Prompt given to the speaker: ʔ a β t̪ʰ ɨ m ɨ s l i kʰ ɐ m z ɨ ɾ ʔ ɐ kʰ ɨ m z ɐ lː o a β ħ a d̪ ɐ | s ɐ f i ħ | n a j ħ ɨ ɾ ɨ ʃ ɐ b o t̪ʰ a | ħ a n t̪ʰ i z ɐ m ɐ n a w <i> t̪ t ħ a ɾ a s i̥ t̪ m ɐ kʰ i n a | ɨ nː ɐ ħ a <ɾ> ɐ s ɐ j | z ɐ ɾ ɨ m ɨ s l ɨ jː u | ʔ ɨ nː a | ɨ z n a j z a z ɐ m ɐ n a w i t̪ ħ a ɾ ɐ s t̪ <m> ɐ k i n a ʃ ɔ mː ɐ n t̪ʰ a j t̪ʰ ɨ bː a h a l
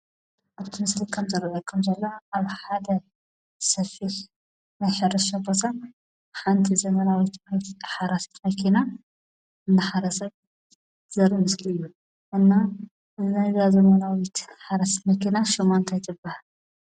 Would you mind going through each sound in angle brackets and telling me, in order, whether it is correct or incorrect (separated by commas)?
correct, correct, correct